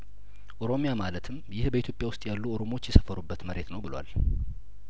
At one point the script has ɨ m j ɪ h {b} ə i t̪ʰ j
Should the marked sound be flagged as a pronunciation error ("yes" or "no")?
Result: no